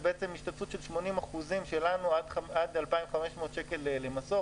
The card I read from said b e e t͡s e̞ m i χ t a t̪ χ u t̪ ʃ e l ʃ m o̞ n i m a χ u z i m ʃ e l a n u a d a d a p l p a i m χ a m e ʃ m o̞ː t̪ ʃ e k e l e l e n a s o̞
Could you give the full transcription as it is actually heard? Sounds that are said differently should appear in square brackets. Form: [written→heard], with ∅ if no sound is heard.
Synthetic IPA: b e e t͡s e̞ m i [χ→ʃ] t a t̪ [χ→f] u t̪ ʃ e l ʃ m o̞ n i m a χ u z i m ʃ e l a n u a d a d a [p→∅] l p a i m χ a m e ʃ m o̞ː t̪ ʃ e k e l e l e [n→m] a s o̞